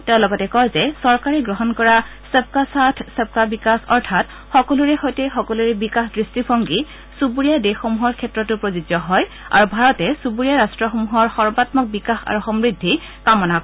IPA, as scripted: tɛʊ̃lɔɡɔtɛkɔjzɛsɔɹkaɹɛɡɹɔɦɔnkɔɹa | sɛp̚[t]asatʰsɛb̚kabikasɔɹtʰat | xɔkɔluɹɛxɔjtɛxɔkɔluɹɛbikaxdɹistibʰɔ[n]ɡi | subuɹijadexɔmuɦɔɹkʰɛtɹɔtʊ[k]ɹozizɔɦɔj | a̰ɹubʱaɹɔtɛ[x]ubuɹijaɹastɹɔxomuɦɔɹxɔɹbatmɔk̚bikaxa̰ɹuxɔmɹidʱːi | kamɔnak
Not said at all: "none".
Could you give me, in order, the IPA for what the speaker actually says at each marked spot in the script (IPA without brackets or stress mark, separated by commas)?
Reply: k, ŋ, p, s